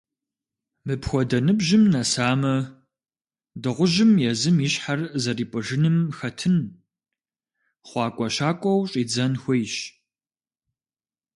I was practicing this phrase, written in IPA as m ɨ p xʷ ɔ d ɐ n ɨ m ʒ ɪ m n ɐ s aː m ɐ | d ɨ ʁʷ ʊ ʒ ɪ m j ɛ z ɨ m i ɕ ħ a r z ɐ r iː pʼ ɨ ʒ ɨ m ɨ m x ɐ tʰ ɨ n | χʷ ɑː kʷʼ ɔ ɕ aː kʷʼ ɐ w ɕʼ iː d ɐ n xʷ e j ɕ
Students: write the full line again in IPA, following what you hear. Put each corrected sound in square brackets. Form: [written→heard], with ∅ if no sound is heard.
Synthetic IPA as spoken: m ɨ p xʷ ɔ d ɐ n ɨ [m→b] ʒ ɪ m n ɐ s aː m ɐ | d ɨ ʁʷ ʊ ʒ ɪ m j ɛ z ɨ m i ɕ ħ a r z ɐ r iː pʼ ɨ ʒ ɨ [m→n] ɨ m x ɐ tʰ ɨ n | χʷ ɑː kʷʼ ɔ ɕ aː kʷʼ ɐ w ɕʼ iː [d→d͡z] ɐ n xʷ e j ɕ